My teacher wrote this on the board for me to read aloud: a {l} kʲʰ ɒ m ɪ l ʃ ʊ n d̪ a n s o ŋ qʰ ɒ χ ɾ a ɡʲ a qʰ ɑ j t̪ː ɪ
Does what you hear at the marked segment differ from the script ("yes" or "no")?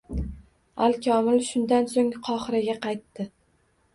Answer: no